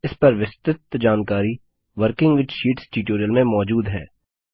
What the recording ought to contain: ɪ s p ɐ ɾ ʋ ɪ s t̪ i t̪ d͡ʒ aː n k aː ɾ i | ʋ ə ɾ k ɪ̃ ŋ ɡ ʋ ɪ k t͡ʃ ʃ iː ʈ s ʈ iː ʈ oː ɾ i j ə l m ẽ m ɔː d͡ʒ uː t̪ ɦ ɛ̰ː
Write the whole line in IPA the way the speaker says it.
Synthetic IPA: ɪ s p ɐ ɾ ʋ ɪ s t̪ ɪ t̪ d͡ʒ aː n k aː ɾ i | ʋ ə ɾ k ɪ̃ ŋ ɡ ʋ ɪ t͡ʃ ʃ iː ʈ s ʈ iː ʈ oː ɾ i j ə l m ẽ m ɔː d͡ʒ uː d̪ ɦ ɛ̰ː